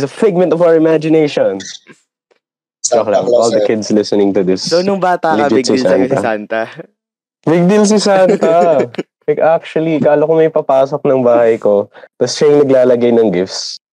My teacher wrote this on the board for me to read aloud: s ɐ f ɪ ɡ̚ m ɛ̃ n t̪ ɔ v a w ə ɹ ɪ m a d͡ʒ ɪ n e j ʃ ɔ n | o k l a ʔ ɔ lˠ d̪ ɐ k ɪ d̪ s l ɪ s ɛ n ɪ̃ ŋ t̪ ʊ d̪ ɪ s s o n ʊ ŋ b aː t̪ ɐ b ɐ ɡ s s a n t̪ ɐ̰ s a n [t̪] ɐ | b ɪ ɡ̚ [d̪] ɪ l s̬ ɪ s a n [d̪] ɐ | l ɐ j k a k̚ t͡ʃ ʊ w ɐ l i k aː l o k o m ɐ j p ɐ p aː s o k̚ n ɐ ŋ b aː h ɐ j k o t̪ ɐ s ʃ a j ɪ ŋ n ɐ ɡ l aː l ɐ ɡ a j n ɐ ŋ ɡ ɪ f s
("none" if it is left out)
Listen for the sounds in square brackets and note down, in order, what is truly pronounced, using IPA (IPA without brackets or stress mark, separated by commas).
t̪, d̪, t̪